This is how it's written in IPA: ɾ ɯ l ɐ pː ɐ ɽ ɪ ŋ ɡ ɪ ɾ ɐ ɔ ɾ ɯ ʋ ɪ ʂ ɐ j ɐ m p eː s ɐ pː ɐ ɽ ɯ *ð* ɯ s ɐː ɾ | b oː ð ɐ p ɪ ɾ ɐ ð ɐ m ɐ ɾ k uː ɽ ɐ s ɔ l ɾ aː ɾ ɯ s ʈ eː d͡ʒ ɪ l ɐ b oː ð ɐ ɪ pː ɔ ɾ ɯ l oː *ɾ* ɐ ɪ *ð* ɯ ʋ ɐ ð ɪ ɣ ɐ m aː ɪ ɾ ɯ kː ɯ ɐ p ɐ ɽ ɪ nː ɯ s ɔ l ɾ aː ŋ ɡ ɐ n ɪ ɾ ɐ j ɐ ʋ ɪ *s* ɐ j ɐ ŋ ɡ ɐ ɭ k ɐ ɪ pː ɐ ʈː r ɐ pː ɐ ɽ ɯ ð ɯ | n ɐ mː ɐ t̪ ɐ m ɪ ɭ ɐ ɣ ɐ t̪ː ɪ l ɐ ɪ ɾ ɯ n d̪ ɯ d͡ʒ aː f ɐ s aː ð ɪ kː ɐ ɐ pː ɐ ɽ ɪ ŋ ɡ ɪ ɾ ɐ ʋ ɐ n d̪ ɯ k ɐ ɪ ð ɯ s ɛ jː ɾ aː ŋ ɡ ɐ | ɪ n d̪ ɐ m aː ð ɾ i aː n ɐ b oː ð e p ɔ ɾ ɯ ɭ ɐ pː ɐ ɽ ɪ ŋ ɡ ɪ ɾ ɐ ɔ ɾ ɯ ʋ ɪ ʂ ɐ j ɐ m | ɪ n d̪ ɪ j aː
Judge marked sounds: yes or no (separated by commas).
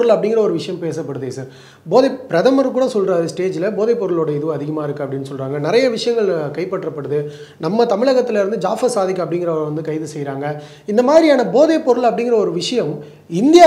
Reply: yes, no, yes, no